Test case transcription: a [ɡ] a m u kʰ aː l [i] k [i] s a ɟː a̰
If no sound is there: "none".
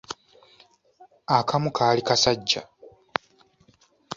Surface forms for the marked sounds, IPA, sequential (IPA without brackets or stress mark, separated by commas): k, i, a